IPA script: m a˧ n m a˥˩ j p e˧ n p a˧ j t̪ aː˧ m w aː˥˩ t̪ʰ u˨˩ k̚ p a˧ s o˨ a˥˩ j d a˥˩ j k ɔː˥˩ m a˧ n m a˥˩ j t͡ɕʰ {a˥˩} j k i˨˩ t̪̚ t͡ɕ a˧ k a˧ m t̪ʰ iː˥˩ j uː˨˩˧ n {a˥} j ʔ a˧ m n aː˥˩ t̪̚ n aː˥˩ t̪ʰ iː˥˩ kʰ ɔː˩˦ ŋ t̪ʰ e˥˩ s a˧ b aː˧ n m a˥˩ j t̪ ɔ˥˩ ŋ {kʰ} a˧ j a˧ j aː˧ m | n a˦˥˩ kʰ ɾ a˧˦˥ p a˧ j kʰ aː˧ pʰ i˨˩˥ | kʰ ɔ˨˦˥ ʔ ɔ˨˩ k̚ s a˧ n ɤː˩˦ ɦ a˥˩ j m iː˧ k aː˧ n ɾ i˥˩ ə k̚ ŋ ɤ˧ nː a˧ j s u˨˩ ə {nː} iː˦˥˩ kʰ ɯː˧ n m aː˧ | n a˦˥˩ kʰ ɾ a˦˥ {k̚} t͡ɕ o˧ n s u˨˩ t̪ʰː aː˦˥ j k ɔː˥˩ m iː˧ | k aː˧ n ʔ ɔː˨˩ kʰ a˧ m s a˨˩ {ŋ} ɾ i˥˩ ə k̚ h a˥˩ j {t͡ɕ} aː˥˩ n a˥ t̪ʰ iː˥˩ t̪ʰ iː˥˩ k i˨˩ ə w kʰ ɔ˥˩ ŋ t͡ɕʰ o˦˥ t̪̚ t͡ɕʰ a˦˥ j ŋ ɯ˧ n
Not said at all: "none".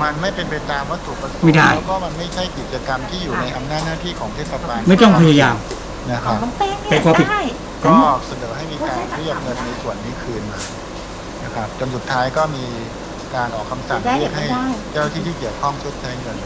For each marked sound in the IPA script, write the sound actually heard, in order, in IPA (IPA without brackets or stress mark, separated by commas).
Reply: a˥˩, a˧, pʰ, nː, p̚, ŋ, t͡ɕ